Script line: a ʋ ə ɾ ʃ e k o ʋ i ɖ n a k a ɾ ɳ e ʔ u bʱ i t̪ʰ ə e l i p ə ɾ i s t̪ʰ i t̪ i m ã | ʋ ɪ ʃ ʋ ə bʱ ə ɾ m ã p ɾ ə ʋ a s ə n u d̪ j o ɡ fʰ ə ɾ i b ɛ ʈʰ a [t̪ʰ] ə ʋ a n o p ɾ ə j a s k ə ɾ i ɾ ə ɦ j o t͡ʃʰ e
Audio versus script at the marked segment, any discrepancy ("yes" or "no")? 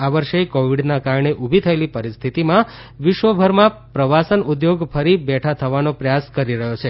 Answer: no